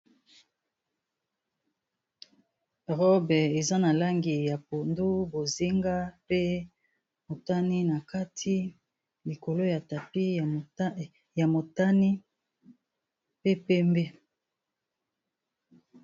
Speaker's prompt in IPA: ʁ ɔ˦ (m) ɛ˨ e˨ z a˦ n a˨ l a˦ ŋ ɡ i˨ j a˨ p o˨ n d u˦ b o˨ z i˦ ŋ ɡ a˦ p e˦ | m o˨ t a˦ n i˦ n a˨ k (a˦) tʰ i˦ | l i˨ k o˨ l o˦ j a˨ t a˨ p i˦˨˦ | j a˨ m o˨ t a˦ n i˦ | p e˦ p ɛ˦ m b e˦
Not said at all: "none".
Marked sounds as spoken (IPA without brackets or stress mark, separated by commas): b, a˦